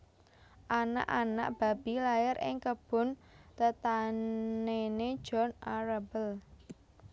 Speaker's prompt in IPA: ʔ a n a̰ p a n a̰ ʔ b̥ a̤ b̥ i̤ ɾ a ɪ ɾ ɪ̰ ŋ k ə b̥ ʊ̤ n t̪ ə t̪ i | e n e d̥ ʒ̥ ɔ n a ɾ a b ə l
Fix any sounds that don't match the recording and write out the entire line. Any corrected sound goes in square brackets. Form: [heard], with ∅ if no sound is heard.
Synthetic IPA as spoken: ʔ a n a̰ [ʔ] a n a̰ ʔ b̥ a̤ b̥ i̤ [l] a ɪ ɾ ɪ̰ ŋ k ə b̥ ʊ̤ n t̪ ə t̪ [a] | e n e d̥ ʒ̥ ɔ n a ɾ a b ə l